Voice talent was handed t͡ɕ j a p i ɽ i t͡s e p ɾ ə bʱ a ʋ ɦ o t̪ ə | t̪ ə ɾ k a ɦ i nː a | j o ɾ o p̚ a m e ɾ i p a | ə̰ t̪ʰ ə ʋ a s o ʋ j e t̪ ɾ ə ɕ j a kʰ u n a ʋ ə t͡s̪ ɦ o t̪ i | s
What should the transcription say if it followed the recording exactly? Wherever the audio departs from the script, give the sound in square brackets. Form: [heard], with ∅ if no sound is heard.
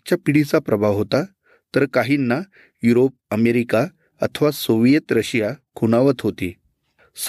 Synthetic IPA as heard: t͡ɕ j a p i ɽ i t͡s [a] p ɾ ə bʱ a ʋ ɦ o t̪ [a] | t̪ ə ɾ k a ɦ i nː a | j [u] ɾ o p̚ [ə] m e ɾ i [k] a | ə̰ t̪ʰ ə ʋ a s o ʋ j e t̪ ɾ ə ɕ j a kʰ u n a ʋ ə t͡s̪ ɦ o t̪ i | s